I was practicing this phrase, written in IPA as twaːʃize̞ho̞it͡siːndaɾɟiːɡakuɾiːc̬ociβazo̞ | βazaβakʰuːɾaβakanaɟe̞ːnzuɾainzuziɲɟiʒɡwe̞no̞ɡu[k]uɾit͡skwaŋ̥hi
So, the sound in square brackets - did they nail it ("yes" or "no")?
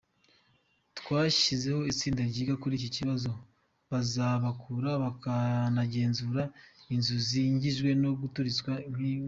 no